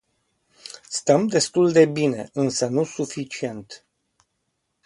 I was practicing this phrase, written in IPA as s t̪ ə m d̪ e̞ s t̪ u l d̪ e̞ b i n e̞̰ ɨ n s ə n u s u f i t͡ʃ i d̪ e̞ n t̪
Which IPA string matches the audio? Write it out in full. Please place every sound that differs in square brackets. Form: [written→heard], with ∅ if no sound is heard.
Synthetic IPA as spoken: s t̪ ə m d̪ e̞ s t̪ u l d̪ e̞ b i n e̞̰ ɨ n s ə n u s u f i t͡ʃ i [d̪→∅] e̞ n t̪